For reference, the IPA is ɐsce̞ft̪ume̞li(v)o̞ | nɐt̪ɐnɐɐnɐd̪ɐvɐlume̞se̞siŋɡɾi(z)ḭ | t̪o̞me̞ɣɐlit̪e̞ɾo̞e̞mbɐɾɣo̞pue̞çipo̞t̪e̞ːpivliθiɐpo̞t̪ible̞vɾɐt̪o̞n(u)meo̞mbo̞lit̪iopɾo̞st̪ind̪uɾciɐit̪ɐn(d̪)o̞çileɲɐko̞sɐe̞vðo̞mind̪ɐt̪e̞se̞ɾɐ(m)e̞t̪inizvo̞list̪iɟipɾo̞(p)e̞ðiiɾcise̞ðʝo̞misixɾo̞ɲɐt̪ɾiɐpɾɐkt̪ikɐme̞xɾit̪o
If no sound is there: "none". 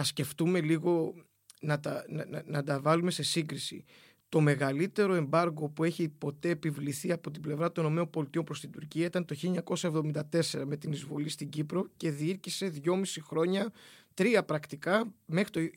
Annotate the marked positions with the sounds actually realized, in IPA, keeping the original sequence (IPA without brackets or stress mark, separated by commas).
ɣ, s, o, t̪, m, c